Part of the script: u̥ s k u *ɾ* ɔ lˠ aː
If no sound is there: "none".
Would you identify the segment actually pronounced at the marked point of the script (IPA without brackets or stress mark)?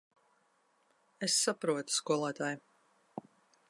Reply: none